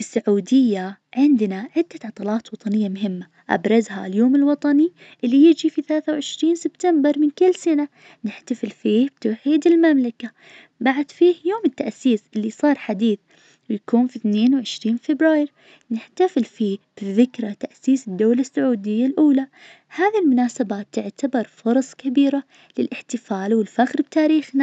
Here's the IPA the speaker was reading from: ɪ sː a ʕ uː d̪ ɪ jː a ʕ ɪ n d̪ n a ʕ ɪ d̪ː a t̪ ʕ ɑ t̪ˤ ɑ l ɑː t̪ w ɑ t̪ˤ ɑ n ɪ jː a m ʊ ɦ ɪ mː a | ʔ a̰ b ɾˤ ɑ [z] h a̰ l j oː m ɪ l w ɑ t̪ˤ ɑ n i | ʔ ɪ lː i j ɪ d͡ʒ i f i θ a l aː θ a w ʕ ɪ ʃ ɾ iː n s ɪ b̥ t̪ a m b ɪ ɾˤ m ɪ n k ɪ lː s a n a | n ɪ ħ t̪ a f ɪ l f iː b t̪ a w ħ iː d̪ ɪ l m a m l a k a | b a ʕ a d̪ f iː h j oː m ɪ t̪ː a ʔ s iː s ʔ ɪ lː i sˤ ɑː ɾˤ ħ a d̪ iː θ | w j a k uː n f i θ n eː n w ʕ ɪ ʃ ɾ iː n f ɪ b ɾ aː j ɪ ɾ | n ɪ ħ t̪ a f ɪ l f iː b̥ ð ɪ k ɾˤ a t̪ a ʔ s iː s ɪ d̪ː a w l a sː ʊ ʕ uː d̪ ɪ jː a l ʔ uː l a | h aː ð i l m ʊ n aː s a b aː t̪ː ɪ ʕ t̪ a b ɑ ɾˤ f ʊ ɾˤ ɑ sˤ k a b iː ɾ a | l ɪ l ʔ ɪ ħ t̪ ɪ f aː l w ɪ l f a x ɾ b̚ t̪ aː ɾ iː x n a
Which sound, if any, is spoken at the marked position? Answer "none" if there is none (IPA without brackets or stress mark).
z